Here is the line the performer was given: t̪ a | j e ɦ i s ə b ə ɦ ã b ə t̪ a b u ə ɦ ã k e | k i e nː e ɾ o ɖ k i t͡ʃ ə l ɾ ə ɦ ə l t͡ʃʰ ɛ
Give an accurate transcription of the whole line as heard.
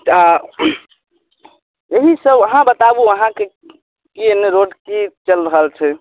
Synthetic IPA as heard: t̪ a | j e ɦ i s ə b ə ɦ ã b ə t̪ a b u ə ɦ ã k e | k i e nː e ɾ o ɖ k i t͡ʃ ə l ɾ ə ɦ ə l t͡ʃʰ ɛ